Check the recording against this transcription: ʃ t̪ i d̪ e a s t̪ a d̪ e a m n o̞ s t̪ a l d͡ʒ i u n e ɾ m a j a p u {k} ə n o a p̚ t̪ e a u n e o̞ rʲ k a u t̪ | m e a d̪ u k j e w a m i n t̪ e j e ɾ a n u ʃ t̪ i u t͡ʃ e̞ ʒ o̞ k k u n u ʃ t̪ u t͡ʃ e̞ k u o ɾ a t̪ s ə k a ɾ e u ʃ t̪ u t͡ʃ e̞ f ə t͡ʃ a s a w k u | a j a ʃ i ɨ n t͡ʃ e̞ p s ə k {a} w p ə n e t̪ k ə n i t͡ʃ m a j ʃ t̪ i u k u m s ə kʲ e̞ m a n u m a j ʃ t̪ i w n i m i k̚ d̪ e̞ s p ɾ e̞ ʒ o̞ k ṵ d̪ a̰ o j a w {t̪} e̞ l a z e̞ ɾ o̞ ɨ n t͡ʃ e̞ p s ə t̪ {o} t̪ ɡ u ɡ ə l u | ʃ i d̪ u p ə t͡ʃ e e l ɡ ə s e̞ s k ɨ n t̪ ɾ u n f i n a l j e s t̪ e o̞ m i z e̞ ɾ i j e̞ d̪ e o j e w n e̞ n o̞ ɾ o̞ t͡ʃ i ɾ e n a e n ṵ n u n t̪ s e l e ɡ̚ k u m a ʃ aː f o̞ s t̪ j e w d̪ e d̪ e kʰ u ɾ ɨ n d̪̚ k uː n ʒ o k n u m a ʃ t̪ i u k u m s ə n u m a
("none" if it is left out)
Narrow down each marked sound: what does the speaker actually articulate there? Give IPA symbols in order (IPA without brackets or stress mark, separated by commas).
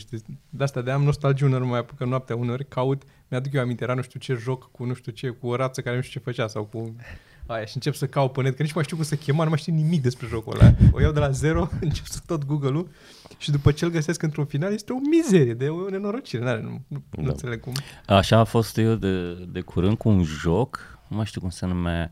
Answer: k, a, d̪, o